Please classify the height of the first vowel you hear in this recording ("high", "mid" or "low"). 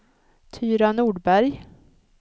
high